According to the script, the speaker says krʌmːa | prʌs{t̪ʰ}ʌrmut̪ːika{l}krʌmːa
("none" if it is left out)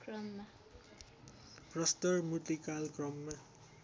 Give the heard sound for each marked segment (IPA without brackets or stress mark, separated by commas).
t̪, l